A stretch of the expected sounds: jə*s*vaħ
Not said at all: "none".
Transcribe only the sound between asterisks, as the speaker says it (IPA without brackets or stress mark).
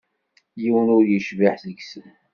ʃ